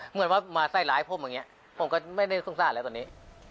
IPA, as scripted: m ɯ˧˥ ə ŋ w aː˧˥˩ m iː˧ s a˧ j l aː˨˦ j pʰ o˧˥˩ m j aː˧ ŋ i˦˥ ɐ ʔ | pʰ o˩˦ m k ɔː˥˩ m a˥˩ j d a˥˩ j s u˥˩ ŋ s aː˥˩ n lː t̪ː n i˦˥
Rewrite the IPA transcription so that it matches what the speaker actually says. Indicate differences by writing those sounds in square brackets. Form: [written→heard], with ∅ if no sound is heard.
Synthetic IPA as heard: m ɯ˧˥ ə [ŋ→n] w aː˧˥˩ m [iː˧→aː˧] s [a˧→a˥˩] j l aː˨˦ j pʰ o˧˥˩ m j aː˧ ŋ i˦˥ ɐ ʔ | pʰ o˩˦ m k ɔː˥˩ m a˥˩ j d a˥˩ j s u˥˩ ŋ s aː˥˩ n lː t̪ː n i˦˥